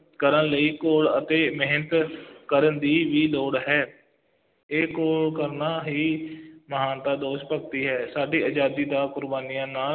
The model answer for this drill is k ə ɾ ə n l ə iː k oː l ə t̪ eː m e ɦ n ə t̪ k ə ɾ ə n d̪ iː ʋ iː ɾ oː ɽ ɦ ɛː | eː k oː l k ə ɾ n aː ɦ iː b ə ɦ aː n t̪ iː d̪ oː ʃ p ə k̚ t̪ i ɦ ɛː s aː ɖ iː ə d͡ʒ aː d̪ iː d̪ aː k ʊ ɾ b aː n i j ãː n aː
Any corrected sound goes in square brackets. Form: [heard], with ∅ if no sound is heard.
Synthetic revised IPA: k ə ɾ ə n l ə iː k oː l ə t̪ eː m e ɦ n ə t̪ k ə ɾ ə n d̪ iː ʋ iː [l] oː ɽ ɦ ɛː | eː k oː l k ə ɾ n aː ɦ iː [m] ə ɦ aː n t̪ [aː] d̪ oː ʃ p ə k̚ t̪ [iː] ɦ ɛː s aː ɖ iː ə d͡ʒ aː d̪ iː d̪ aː k ʊ ɾ b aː n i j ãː n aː